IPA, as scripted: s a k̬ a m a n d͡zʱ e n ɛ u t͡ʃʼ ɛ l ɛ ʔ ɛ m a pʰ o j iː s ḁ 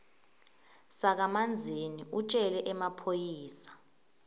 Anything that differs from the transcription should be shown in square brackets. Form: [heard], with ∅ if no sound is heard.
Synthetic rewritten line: s a k̬ a m a n d͡zʱ e n [i] u t͡ʃʼ ɛ l ɛ ʔ ɛ m a pʰ o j iː s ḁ